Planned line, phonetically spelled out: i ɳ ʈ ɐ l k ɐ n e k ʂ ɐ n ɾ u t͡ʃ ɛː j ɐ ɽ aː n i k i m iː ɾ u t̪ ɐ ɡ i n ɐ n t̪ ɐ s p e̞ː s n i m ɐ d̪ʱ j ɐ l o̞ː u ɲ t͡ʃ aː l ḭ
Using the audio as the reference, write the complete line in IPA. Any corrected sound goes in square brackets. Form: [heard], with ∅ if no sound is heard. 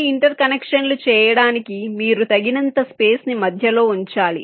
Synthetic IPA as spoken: i ɳ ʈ ɐ [ɾ] k ɐ n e k ʂ ɐ n [l] u t͡ʃ ɛː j ɐ ɽ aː n i k i m iː ɾ u t̪ ɐ ɡ i n ɐ n t̪ ɐ s p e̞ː s n i m ɐ d̪ʱ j ɐ l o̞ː u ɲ t͡ʃ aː l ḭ